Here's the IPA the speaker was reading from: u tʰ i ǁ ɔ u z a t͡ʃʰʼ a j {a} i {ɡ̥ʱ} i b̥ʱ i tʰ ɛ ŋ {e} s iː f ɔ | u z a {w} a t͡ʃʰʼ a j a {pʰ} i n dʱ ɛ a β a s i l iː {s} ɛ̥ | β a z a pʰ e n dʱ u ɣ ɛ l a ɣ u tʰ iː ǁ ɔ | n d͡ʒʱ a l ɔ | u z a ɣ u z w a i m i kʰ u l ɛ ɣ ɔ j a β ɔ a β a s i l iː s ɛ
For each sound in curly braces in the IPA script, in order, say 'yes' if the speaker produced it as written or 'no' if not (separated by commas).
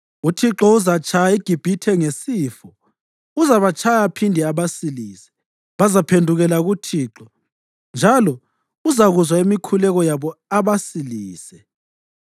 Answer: yes, yes, yes, no, yes, yes